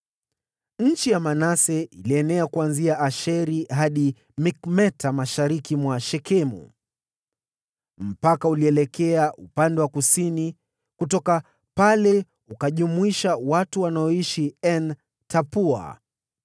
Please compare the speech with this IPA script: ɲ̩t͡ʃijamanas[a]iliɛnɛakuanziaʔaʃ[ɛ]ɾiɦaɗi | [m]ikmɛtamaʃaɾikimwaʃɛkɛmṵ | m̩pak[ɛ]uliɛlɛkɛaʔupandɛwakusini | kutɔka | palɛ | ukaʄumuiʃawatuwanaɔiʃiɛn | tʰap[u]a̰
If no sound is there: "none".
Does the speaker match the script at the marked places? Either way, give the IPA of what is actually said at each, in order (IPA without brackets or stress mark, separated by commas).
ɛ, ɛ, m, a, u